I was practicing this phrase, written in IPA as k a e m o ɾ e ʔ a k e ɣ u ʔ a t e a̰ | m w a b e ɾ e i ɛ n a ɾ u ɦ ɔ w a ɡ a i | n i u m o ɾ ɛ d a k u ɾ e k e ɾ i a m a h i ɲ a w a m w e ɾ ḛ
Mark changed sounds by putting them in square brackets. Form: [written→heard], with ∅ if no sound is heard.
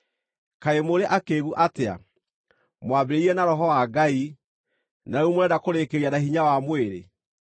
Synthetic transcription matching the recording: k a e m o ɾ e ʔ a k e ɣ u ʔ a t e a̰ | m w a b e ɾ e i ɛ n a ɾ [u→ɔ] ɦ ɔ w a ɡ a i | n [i→a] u m o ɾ ɛ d a k [u→o] ɾ e k e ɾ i a [m→n] a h i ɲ a w a m w e ɾ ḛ